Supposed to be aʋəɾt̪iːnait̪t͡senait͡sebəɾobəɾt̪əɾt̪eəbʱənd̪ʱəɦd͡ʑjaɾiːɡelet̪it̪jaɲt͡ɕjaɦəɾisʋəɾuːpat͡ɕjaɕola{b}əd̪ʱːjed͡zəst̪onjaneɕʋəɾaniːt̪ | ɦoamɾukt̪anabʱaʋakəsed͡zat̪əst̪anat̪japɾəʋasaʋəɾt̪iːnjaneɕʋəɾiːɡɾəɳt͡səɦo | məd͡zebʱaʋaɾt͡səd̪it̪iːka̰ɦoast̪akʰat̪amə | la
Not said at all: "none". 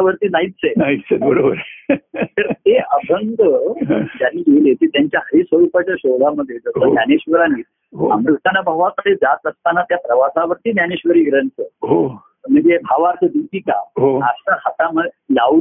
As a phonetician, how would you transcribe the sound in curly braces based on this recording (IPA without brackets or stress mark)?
m